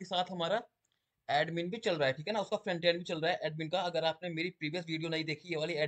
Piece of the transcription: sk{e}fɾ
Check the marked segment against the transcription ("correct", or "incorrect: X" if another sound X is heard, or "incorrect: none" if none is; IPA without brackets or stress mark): incorrect: a